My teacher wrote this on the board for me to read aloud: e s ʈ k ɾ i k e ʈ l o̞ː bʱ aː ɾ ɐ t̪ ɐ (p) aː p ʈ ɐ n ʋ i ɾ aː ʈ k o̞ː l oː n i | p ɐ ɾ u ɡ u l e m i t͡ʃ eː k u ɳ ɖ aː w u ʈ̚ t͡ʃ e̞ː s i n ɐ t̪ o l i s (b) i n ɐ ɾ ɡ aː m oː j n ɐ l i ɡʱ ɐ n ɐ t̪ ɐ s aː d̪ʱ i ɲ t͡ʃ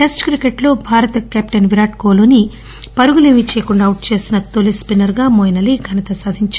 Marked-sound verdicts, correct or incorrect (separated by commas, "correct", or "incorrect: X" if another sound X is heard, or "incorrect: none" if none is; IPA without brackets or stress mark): incorrect: k, incorrect: p